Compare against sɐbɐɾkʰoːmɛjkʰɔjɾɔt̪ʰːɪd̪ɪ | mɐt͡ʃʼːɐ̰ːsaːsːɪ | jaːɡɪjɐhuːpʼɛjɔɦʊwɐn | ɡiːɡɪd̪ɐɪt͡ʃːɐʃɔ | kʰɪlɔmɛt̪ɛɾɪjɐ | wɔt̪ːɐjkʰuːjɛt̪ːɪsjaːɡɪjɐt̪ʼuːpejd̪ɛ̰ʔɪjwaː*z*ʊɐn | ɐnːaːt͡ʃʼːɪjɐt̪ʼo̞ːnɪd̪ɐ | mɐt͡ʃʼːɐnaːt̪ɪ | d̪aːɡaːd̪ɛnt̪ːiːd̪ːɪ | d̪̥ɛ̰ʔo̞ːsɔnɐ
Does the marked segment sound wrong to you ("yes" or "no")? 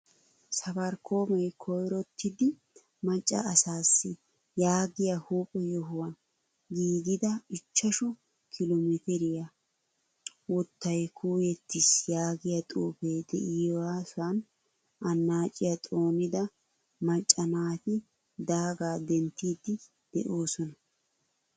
yes